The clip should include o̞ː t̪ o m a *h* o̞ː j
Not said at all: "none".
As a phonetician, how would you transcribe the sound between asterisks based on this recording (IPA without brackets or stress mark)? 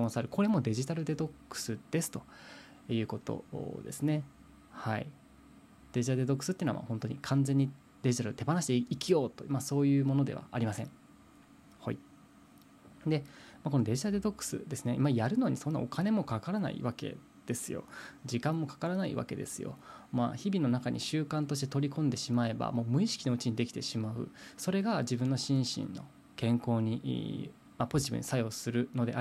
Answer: s